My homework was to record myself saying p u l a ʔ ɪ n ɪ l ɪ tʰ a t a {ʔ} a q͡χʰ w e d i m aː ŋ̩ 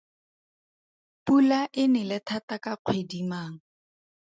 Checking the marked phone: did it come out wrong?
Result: yes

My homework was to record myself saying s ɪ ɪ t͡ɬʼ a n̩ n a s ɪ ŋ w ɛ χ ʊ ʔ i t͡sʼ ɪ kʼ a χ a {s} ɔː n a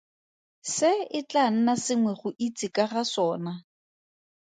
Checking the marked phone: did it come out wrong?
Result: no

